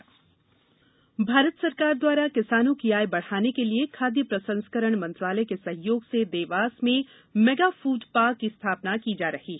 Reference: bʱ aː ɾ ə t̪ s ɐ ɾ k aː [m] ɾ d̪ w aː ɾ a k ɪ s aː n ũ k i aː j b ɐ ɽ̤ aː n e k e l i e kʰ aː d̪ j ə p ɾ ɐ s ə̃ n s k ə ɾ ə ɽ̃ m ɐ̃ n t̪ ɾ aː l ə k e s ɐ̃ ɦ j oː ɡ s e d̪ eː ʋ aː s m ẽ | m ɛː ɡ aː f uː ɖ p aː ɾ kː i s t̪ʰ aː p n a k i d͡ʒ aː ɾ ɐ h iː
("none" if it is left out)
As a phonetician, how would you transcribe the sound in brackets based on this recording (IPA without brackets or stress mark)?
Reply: none